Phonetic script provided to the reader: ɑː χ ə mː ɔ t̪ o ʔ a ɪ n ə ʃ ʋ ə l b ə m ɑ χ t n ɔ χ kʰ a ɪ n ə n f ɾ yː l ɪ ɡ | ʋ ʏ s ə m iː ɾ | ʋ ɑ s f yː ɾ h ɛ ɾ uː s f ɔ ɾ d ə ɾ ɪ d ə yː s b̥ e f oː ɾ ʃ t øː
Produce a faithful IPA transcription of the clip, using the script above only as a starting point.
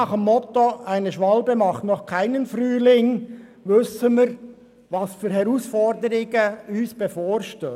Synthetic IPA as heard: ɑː χ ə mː ɔ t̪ o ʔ a ɪ n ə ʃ ʋ ɑ l b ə m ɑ χ t n ɔ χ kʰ a ɪ n ə n f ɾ yː l ɪ ŋ | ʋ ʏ s ə m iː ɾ | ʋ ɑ s f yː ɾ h ɛ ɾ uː s f ɔ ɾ d ə ɾ ɪ ɡ ə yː s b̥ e f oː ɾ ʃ t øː